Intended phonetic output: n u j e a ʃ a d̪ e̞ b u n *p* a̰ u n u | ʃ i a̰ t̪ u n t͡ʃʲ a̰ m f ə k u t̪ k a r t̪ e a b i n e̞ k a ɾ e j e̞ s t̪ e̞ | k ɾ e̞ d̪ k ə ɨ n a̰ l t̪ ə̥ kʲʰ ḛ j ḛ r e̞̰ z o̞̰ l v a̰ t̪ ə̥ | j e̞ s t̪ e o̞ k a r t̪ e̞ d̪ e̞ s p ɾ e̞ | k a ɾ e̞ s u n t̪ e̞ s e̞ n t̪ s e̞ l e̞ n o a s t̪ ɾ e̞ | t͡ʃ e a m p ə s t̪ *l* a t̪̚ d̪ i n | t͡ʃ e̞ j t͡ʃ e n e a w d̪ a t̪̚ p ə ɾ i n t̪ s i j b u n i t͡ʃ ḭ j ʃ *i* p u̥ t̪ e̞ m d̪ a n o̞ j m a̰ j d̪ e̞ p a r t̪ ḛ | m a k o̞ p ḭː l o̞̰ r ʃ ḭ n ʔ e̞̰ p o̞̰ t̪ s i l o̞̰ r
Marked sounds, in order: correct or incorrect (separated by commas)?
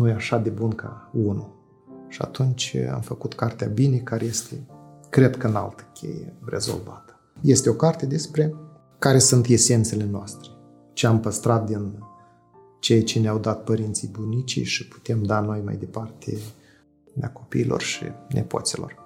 incorrect, incorrect, correct